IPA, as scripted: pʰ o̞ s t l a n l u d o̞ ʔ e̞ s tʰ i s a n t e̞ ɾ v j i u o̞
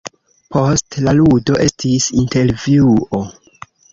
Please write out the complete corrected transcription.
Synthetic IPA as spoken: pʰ o̞ s t l a l u d o̞ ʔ e̞ s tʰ i s i n t e̞ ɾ v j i u o̞